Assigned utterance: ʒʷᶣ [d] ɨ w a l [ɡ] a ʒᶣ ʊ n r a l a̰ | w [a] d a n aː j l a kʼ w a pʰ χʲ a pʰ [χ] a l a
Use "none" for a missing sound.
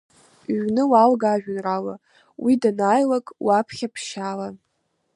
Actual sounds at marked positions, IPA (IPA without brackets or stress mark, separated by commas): n, ɡ, i, ʃ